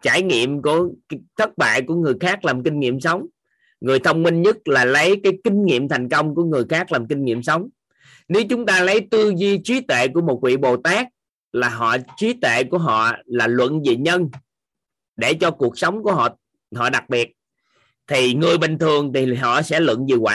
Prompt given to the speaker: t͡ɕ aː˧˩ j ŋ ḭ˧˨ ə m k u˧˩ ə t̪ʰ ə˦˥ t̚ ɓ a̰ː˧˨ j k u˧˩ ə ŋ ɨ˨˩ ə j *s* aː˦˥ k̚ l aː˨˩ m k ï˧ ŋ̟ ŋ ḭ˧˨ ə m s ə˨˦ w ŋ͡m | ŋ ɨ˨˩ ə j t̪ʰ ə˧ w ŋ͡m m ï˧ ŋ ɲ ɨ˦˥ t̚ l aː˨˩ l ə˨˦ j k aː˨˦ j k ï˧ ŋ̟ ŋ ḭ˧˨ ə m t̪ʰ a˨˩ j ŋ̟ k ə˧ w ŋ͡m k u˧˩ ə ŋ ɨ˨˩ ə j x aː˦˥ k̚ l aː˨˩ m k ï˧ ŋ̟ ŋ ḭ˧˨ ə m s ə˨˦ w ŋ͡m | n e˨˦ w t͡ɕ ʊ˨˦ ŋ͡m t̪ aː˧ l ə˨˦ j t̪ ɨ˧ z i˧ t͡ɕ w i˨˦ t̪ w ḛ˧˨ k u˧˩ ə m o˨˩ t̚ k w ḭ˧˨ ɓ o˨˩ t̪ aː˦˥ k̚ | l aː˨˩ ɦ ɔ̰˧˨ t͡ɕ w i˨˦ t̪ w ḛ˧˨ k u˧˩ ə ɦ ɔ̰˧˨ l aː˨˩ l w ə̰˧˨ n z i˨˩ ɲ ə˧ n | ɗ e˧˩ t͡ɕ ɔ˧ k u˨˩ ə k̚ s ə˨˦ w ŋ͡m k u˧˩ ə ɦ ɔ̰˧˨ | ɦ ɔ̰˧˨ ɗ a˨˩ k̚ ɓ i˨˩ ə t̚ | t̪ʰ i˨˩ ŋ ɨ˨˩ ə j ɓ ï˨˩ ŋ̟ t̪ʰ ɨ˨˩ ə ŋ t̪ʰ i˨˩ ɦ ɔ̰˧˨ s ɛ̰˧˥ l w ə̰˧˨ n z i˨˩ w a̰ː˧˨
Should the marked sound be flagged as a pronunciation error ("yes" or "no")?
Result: yes